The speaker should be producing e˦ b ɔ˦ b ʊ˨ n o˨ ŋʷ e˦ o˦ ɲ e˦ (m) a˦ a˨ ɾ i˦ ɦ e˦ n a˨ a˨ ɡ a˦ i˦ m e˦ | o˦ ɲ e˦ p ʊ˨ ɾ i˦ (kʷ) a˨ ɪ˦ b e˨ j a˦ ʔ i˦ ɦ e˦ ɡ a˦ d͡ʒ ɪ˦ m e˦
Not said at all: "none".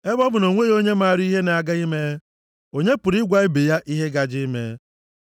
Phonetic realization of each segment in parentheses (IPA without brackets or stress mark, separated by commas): m, ɡʷ